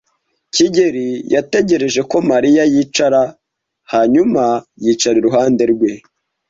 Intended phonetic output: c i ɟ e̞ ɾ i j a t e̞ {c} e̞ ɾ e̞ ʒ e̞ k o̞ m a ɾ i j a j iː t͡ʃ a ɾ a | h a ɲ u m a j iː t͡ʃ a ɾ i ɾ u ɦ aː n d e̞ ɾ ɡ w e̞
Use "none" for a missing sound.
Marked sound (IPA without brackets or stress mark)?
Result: ɟ